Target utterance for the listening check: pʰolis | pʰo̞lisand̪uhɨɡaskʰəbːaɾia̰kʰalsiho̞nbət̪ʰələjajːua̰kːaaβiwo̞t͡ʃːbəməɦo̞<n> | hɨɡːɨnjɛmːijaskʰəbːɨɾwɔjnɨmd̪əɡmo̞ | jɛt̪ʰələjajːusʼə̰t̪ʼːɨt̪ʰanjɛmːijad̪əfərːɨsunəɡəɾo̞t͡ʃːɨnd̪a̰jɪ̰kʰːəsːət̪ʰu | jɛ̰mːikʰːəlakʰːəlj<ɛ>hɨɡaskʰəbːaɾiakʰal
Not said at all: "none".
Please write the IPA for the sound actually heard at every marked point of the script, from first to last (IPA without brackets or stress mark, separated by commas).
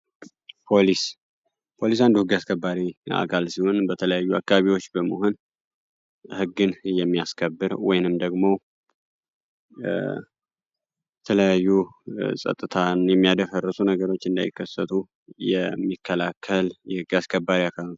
n, ɛ